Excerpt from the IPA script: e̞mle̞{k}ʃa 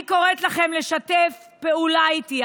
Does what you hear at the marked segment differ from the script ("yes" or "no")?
yes